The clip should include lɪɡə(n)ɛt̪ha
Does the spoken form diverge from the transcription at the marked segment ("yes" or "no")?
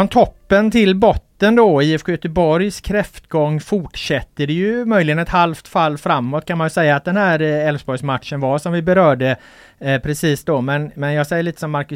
no